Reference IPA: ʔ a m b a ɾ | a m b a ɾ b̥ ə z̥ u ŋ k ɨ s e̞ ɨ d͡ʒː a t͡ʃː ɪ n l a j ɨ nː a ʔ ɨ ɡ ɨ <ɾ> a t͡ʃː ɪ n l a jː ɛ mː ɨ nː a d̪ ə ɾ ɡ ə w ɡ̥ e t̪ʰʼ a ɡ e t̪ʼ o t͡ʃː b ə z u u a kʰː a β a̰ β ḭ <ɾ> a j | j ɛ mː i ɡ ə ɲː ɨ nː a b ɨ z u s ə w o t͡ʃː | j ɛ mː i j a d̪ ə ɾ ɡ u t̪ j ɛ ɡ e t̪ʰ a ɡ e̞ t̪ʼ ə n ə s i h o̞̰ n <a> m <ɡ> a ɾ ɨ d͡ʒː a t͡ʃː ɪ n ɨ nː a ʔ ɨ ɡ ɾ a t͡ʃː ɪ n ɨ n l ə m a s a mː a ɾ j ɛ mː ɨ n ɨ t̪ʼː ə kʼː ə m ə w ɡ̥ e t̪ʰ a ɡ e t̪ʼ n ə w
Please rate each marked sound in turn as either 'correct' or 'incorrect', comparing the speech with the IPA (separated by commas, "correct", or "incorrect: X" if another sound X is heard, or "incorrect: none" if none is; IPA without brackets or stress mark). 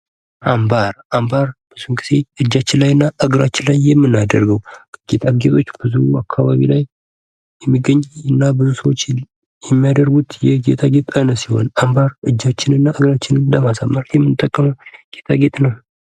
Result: correct, incorrect: l, correct, incorrect: b